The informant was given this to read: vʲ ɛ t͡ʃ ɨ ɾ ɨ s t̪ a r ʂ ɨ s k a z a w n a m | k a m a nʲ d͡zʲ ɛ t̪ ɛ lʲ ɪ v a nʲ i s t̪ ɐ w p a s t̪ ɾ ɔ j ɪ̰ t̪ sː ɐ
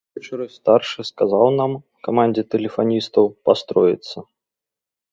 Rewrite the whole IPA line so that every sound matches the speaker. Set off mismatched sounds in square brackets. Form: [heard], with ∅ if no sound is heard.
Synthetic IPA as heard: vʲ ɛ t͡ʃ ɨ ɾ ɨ s t̪ a r ʂ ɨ s k a z a w n a m | k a m a nʲ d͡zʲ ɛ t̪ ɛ lʲ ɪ [f] a nʲ i s t̪ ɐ w p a s t̪ ɾ ɔ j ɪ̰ t̪ sː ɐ